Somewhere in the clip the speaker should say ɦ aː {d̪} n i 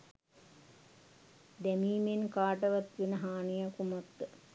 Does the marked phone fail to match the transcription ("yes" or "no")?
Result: yes